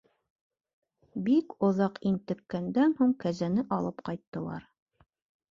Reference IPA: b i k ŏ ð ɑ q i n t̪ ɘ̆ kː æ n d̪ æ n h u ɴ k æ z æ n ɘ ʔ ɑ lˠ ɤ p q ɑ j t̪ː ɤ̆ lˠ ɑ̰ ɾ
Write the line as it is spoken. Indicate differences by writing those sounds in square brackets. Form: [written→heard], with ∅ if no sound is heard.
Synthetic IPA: b i k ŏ ð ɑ q i n t̪ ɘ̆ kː æ n d̪ æ n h u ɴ k æ z æ n ɘ ʔ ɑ lˠ ɤ p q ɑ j t̪ː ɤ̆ lˠ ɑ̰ ɾ